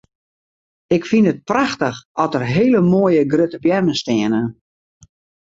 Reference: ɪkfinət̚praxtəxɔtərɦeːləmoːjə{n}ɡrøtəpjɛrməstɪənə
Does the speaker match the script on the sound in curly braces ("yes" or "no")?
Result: no